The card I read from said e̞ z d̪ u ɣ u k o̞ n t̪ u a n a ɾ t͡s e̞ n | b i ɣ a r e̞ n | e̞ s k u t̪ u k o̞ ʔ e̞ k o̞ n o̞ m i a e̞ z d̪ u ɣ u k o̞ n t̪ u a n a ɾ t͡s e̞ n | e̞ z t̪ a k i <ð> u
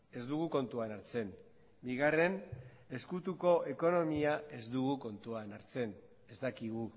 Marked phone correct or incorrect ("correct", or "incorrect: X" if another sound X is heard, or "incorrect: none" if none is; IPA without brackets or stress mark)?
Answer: incorrect: ɣ